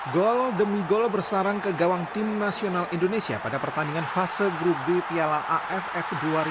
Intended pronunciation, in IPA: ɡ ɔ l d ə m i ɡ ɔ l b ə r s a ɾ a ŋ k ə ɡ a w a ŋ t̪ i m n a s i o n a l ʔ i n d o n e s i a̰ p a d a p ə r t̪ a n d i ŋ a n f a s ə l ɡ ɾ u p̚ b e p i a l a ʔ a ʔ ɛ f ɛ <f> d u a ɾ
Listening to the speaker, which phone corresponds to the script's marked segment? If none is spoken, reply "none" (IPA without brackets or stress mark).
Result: f